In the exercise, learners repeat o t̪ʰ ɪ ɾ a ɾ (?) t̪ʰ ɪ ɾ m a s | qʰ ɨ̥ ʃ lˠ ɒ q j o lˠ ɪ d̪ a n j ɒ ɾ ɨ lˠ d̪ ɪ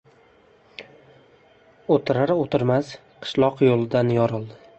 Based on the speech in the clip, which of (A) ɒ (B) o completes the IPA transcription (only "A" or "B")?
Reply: B